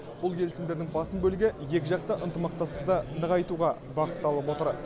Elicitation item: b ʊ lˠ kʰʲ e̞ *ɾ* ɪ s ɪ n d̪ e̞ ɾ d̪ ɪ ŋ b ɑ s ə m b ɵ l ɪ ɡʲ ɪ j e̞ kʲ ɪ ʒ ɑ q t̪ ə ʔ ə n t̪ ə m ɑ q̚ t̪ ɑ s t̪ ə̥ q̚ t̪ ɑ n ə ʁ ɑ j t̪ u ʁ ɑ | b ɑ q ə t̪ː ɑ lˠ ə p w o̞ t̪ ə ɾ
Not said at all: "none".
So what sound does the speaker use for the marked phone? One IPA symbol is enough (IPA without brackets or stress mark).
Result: l